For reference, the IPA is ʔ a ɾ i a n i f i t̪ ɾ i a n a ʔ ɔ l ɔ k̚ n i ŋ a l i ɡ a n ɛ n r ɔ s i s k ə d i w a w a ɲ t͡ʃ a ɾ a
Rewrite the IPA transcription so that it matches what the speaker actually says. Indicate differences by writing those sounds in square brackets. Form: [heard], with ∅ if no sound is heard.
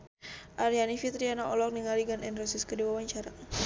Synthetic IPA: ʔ a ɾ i a n i f i t̪ ɾ i a n a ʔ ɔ l ɔ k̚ n i ŋ a l i ɡ a n ɛ n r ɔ s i s k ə d i w a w a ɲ t͡ʃ a ɾ a